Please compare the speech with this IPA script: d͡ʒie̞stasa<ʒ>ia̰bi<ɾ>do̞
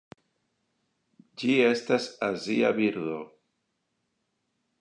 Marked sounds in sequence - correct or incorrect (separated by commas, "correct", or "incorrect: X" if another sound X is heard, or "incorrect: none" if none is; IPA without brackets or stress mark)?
incorrect: z, correct